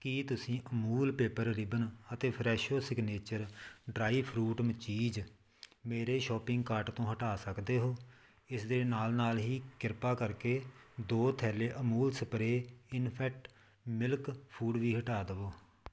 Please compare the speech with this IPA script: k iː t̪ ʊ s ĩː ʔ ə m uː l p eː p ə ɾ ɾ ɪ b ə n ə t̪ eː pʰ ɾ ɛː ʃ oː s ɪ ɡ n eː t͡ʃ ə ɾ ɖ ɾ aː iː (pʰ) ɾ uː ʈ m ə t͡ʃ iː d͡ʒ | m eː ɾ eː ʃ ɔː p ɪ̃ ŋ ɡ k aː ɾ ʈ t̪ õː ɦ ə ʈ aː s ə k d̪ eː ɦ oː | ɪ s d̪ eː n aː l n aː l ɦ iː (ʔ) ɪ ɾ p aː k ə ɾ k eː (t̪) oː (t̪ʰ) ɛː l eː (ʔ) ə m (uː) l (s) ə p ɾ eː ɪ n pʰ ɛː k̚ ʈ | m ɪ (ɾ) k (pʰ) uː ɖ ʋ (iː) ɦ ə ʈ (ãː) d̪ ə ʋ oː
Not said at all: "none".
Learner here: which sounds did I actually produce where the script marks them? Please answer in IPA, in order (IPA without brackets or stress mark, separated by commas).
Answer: pʰ, k, d̪, t̪ʰ, ʔ, uː, s, l, pʰ, iː, aː